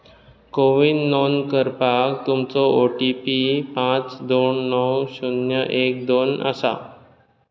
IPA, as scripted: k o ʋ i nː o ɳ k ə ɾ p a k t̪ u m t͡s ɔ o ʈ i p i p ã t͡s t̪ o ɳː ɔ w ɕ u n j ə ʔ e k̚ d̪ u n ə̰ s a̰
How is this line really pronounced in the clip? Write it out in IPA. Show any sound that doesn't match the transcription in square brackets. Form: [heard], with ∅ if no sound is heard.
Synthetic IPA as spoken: k o ʋ i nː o [n] k ə ɾ p a k t̪ u m t͡s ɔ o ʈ i p i p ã t͡s [d̪] o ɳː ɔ w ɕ u n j ə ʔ e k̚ d̪ [o] n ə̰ s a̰